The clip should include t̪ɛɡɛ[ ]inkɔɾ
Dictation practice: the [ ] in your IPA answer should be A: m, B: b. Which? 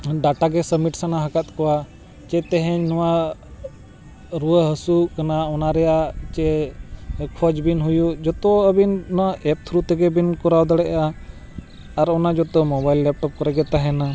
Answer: B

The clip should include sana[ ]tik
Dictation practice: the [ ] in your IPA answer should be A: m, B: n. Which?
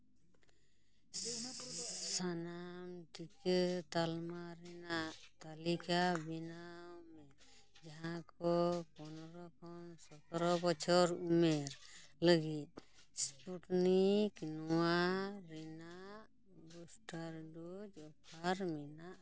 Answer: A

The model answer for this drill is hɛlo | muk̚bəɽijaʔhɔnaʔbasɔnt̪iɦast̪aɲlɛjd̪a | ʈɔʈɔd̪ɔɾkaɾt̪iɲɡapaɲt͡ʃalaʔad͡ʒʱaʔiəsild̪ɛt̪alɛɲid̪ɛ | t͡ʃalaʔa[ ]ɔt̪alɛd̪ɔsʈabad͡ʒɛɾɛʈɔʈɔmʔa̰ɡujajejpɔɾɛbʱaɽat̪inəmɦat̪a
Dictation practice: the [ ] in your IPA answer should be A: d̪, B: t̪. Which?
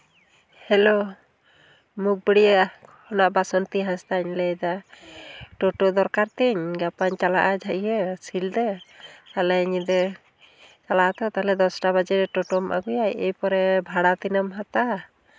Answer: B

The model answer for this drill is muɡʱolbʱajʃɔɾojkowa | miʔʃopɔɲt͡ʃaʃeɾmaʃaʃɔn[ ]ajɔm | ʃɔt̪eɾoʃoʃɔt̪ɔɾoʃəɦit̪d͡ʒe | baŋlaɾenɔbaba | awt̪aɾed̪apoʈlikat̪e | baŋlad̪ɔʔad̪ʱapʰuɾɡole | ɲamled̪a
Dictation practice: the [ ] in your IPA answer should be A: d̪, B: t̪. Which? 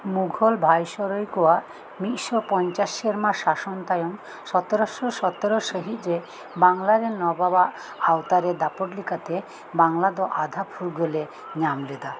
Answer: B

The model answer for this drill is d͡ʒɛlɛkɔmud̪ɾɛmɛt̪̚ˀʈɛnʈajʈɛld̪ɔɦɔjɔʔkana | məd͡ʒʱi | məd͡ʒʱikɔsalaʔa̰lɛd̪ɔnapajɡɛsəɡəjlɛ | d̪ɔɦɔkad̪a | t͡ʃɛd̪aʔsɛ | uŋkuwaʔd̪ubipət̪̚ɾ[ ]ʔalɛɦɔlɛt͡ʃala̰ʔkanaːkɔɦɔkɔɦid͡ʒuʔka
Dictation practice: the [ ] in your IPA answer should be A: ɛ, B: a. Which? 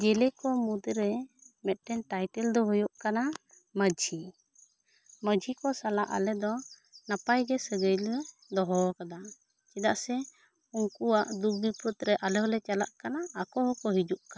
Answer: A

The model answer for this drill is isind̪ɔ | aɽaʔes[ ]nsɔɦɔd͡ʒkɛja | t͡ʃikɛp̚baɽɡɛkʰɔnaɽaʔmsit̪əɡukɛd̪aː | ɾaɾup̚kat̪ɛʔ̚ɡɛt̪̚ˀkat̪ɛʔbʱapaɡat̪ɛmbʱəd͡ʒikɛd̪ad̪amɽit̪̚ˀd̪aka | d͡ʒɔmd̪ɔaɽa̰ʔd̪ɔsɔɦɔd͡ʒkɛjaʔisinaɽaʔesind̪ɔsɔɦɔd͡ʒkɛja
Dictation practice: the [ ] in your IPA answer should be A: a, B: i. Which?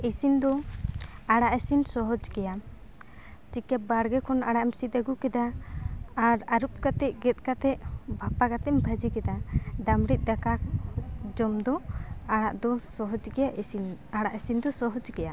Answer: B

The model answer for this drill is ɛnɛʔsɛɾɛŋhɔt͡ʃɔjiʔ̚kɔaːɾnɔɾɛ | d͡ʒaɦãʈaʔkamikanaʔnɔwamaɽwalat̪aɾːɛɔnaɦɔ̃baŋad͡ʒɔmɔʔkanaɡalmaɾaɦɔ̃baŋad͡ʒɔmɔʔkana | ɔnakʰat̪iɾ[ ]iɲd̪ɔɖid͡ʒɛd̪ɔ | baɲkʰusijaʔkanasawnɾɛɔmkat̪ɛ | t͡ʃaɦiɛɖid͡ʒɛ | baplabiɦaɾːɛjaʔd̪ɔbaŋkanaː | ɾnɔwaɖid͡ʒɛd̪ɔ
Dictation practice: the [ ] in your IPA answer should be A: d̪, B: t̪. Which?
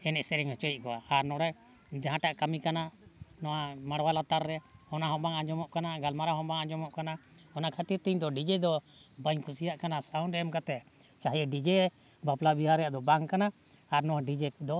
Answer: B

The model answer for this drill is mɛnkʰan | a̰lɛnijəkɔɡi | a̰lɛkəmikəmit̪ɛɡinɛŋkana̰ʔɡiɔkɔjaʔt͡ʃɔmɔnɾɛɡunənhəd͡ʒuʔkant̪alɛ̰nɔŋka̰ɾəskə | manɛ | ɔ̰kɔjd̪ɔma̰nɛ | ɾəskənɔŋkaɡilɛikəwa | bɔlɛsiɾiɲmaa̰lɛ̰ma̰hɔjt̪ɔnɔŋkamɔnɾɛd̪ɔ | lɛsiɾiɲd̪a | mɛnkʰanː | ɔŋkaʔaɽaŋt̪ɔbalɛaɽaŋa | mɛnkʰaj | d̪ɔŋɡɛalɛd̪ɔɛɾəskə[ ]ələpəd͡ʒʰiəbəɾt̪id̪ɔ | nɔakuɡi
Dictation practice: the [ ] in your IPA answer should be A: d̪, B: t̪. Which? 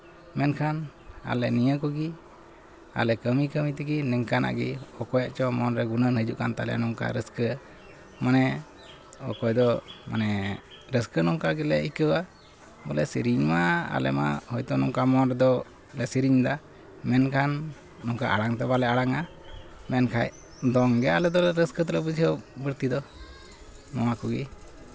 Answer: B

